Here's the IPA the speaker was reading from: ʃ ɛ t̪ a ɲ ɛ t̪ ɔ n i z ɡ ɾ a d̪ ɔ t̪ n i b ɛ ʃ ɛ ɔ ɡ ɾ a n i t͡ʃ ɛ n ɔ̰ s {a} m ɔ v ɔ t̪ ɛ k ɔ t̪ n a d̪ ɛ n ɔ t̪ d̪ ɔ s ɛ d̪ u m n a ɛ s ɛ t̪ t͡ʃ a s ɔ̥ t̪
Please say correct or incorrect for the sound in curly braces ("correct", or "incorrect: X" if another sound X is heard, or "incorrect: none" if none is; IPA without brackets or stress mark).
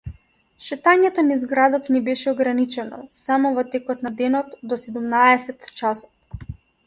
correct